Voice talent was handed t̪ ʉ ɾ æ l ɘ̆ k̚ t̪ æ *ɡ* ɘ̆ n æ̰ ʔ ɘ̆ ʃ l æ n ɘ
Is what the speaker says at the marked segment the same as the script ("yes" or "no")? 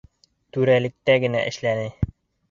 yes